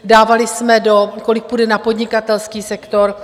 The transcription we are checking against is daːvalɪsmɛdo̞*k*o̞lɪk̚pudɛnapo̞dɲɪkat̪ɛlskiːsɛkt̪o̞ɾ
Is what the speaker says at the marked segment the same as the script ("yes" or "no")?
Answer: yes